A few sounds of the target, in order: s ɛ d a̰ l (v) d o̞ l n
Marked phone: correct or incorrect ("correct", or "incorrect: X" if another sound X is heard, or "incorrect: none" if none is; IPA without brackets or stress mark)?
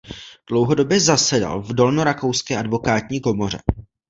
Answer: correct